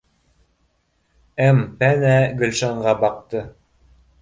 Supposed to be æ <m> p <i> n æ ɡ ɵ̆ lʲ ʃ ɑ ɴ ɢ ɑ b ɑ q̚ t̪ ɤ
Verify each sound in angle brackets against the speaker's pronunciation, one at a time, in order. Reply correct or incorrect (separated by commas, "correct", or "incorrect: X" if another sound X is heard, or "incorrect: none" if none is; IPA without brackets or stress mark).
correct, incorrect: æ